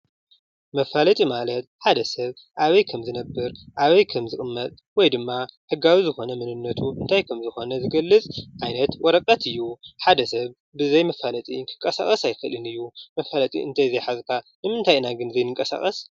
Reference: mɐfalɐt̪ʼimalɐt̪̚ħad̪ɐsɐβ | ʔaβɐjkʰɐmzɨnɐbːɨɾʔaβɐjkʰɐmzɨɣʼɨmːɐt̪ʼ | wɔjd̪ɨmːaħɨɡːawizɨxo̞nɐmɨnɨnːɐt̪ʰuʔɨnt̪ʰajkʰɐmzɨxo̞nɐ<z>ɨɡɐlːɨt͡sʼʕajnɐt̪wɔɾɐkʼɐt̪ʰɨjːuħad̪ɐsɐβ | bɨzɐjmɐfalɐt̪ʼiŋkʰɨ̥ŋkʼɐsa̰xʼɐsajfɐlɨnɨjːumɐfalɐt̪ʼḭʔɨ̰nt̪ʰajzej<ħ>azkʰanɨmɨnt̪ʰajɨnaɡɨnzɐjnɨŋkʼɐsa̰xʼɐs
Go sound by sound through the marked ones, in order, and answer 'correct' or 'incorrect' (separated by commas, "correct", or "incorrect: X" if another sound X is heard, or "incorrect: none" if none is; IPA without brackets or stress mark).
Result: correct, correct